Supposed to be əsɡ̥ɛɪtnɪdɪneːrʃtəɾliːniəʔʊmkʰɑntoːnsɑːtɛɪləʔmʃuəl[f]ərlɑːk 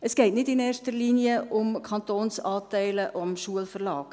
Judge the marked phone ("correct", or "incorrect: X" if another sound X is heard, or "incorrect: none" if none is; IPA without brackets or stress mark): correct